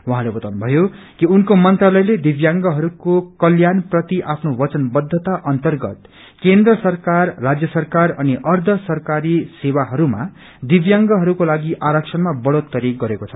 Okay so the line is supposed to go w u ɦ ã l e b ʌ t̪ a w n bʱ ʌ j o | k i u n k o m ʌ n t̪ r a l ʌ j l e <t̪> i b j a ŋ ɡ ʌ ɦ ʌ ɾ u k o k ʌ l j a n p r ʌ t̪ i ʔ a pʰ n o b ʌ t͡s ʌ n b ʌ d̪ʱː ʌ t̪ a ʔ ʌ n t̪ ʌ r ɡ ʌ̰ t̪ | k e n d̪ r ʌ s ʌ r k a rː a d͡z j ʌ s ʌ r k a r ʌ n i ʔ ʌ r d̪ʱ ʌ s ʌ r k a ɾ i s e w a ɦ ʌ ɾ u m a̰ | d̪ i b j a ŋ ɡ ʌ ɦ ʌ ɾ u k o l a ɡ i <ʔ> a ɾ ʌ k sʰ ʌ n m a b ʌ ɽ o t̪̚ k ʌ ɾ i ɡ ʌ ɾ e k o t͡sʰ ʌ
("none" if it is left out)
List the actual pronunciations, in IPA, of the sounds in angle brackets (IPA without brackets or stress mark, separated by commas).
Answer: d̪, ʔ